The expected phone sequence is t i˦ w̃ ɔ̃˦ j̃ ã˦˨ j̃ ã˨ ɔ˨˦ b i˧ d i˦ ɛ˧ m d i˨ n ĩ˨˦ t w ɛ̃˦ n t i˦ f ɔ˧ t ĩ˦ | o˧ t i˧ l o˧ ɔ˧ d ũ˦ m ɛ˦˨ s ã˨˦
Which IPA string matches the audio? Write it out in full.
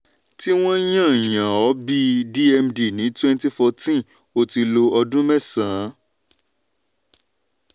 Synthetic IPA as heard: t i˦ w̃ ɔ̃˦ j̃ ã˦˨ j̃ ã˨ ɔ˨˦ b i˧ d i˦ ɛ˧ m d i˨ n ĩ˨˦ t w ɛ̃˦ n t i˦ f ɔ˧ t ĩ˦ | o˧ t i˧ l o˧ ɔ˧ d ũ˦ m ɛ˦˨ s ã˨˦